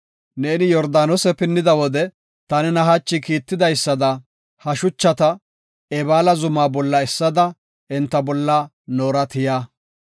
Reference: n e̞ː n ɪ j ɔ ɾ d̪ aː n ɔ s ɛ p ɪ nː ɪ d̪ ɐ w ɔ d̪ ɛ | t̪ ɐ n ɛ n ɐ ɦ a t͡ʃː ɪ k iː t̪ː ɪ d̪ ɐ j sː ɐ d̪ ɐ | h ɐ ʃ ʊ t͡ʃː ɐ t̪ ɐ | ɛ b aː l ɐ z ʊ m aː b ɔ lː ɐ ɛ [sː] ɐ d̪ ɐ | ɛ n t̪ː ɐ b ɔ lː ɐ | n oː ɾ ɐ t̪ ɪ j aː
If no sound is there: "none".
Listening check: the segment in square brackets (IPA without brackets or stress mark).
sː